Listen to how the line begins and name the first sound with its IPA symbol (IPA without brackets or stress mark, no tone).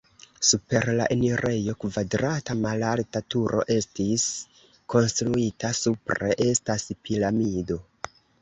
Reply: s